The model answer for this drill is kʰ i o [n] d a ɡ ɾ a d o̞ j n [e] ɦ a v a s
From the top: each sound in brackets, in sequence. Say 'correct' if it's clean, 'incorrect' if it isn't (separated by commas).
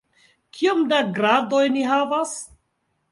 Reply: incorrect, incorrect